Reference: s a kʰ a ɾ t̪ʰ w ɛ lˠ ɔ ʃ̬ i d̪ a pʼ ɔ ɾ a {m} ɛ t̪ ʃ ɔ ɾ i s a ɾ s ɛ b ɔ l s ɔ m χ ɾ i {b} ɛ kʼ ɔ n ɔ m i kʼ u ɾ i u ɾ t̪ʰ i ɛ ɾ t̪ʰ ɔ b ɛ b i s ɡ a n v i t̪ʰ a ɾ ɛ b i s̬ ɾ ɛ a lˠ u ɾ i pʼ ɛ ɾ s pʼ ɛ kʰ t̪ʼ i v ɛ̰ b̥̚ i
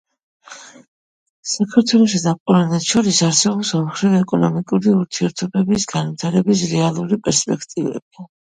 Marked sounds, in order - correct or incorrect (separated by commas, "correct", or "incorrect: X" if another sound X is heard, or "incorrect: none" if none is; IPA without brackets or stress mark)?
incorrect: n, incorrect: v